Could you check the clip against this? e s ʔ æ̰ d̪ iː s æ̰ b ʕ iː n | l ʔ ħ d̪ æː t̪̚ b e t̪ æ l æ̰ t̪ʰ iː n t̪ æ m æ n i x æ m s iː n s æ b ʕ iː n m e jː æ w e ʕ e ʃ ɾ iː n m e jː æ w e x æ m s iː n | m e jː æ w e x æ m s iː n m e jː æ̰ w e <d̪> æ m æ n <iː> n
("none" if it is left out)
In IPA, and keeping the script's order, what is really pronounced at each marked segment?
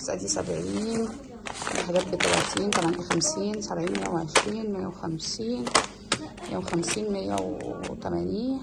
t̪, iː

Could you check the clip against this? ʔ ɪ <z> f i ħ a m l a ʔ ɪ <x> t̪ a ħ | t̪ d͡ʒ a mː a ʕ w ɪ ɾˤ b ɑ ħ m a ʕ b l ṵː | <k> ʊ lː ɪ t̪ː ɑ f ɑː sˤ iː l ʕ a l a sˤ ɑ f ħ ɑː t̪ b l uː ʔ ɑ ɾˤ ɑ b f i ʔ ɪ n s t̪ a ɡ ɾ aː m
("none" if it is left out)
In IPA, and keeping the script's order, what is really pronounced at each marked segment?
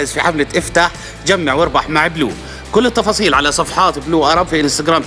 z, f, k

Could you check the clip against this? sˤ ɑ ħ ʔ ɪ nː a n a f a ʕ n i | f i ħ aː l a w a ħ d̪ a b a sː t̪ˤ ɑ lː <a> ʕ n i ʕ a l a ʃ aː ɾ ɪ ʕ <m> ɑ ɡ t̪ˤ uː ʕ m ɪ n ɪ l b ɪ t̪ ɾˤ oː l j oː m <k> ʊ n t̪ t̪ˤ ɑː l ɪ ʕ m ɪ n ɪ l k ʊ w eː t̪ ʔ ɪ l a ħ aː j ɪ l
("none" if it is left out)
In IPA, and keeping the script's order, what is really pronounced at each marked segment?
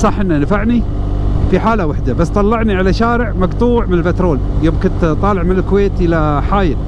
ɑ, m, k

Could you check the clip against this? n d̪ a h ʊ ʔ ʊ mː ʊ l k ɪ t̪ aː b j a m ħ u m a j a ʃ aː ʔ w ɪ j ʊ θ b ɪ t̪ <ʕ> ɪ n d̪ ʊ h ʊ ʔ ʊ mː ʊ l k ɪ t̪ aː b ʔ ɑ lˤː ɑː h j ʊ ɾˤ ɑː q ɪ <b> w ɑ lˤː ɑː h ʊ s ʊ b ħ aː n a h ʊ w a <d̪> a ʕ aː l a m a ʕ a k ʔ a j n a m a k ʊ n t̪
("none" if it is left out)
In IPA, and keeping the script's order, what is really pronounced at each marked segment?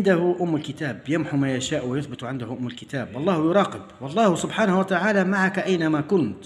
ʕ, b, t̪

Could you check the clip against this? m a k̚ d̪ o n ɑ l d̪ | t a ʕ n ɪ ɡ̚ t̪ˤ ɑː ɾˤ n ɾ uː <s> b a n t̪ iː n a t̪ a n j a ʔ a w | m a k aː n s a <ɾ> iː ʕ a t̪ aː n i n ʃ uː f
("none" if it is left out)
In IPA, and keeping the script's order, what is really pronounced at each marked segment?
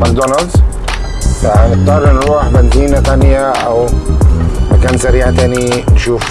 ħ, ɾ

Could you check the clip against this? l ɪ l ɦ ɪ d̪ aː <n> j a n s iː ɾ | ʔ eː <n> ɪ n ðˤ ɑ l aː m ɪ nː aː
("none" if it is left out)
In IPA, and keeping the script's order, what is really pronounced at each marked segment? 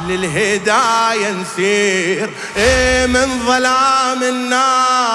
none, m

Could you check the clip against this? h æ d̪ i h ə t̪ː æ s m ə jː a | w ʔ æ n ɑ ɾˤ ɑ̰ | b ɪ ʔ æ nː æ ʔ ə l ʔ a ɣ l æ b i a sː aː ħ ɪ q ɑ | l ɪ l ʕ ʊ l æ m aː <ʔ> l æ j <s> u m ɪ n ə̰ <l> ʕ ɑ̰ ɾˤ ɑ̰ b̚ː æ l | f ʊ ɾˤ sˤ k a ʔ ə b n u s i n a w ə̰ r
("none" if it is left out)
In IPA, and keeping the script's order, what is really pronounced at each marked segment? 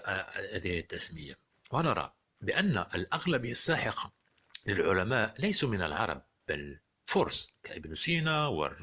ʔ, s, l

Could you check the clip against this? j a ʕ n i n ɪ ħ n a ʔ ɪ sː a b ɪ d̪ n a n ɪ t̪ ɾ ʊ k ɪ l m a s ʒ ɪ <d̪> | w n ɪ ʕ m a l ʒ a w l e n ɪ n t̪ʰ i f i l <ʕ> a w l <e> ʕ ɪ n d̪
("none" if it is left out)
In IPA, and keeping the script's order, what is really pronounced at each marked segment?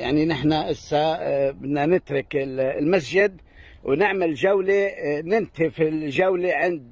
d̪, ʒ, e

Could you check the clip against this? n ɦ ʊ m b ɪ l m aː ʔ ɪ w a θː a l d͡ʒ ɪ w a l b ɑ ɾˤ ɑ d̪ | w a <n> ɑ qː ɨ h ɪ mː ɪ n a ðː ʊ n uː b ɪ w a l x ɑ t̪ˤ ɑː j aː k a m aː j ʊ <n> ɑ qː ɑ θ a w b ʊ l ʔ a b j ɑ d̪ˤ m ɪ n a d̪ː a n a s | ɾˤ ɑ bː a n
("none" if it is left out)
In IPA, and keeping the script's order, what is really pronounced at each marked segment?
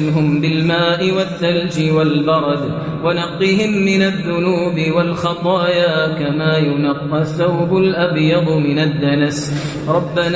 n, n

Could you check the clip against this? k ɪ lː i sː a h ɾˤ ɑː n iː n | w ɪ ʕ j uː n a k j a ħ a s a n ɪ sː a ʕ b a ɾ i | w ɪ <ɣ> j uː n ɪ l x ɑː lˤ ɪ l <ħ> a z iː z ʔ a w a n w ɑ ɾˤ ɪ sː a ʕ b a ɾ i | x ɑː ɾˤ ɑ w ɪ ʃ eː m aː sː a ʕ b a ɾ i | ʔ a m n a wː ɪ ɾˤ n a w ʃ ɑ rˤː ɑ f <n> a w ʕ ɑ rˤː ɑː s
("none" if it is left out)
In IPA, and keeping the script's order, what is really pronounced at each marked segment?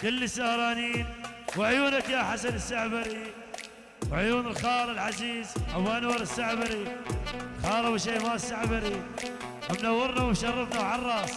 ʕ, ħ, n

